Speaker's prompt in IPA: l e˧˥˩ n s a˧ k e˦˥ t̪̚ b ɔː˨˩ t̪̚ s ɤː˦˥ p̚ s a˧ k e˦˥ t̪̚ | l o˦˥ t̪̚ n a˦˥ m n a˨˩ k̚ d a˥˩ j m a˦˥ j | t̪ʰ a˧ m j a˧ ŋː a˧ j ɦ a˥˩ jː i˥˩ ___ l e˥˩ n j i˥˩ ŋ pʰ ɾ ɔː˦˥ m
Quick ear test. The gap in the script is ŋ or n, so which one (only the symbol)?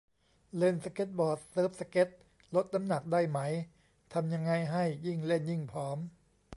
ŋ